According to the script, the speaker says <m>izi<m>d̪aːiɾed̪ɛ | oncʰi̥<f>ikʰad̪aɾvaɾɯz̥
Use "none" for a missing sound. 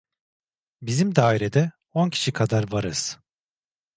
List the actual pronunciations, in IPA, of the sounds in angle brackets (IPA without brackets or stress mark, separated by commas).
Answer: b, m, ʃ